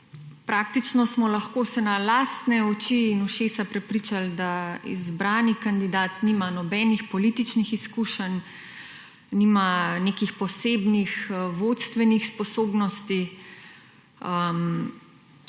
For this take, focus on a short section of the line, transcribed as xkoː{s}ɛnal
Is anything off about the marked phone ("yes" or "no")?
no